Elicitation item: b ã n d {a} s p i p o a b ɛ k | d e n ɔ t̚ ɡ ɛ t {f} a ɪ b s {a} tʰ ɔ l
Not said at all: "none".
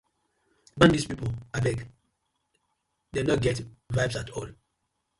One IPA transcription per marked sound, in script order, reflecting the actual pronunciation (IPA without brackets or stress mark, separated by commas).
i, v, a